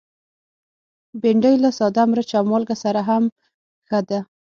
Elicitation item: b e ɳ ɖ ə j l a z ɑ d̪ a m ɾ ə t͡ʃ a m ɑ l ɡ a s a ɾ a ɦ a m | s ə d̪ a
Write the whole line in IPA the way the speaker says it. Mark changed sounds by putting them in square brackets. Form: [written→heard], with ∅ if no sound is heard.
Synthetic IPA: b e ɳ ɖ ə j l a [z→s] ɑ d̪ a m ɾ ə t͡ʃ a m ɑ l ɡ a s a ɾ a ɦ a m | [s→x] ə d̪ a